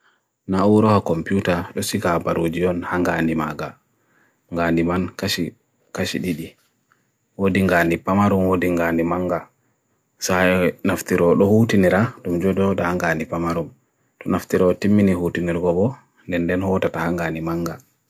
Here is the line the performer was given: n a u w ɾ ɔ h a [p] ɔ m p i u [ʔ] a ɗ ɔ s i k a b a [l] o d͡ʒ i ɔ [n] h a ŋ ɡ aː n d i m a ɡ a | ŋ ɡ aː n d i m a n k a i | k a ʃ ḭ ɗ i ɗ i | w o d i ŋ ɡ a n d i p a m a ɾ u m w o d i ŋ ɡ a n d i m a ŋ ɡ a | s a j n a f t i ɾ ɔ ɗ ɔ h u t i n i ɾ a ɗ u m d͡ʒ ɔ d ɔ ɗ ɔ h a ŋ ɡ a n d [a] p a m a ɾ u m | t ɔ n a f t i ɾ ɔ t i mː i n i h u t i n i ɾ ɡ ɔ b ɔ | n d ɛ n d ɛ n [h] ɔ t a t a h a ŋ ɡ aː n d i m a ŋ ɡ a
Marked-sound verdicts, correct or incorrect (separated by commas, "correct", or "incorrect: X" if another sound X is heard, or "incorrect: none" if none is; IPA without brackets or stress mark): incorrect: k, incorrect: t, incorrect: ɾ, correct, incorrect: i, correct